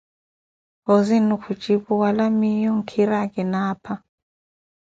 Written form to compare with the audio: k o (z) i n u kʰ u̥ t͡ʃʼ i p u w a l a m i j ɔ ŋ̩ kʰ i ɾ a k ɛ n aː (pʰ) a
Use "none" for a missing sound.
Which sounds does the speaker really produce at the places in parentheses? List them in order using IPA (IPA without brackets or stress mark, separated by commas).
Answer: z, pʰ